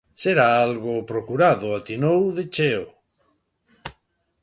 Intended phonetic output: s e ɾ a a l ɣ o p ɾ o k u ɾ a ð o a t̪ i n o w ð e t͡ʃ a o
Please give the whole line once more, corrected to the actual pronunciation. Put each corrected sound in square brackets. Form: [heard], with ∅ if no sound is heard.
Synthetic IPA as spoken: s e ɾ a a l ɣ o p ɾ o k u ɾ a ð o a t̪ i n o w ð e t͡ʃ [e] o